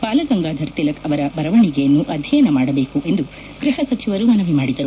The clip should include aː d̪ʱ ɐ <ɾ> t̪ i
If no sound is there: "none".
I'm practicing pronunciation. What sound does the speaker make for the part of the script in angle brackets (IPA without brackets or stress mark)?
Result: ɾ